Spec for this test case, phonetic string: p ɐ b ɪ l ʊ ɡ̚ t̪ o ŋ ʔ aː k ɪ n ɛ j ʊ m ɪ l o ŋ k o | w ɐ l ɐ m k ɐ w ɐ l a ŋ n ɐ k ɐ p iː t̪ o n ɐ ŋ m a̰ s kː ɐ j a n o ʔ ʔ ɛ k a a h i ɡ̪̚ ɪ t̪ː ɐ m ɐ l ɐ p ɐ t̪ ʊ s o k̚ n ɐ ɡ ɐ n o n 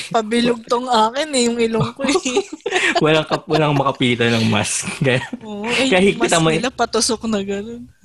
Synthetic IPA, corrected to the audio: p ɐ b ɪ l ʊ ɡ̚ t̪ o ŋ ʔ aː k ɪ n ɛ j ʊ ŋ ɪ l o ŋ k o | w ɐ l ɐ ŋ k ɐ w ɐ l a ŋ m ɐ k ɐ p iː t̪ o n ɐ ŋ m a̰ s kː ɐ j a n o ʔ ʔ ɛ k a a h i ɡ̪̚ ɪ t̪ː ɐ m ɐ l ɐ p ɐ t̪ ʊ s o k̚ n ɐ ɡ ɐ n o n